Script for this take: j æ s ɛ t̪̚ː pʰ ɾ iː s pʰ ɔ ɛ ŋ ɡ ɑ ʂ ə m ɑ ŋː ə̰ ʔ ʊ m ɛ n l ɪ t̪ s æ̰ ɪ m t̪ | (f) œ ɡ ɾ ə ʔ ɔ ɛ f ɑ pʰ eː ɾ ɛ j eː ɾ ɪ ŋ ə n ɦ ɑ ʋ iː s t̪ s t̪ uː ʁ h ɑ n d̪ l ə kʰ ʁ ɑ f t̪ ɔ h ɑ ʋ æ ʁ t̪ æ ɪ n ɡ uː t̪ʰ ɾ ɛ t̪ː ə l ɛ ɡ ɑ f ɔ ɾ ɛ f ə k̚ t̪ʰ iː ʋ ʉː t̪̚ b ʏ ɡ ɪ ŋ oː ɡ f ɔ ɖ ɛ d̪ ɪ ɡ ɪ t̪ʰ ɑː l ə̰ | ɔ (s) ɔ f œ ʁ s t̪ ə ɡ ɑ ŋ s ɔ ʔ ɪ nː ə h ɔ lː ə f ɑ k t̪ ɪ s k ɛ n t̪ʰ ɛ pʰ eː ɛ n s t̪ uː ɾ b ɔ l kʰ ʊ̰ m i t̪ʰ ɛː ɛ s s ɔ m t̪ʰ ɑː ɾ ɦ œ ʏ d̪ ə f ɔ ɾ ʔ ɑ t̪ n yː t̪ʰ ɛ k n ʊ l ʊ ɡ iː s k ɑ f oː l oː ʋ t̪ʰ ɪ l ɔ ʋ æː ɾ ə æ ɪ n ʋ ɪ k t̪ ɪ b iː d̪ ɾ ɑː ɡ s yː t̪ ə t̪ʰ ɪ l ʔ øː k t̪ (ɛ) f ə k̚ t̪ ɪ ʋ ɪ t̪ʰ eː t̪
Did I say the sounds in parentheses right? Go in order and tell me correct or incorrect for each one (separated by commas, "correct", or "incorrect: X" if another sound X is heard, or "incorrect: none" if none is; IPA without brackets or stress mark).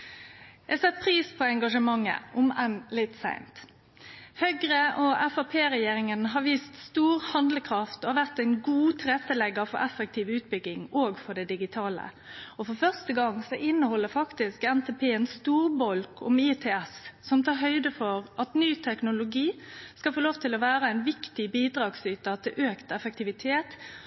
incorrect: h, incorrect: f, correct